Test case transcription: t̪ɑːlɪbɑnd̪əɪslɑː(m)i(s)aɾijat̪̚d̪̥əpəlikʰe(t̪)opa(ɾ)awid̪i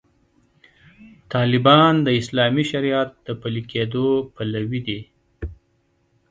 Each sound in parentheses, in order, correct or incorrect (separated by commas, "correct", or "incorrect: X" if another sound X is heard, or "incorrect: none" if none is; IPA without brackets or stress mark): correct, incorrect: ʃ, incorrect: d̪, incorrect: l